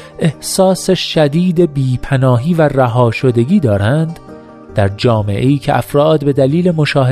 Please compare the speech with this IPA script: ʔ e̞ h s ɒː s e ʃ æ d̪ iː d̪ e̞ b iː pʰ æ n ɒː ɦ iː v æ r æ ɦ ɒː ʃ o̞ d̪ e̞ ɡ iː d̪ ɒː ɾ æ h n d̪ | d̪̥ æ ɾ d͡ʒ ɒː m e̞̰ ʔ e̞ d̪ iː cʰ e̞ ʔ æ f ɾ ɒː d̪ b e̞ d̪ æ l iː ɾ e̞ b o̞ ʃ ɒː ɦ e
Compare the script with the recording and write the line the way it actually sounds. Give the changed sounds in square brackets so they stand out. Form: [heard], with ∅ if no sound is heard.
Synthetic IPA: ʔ e̞ h s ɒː s e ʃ æ d̪ iː d̪ e̞ b iː pʰ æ n ɒː ɦ iː v æ r æ ɦ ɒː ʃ o̞ d̪ e̞ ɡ iː d̪ ɒː ɾ æ [∅] n d̪ | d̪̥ æ ɾ d͡ʒ ɒː m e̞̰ ʔ e̞ [∅] iː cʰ e̞ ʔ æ f ɾ ɒː d̪ b e̞ d̪ æ l iː [l] e̞ [m] o̞ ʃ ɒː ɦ e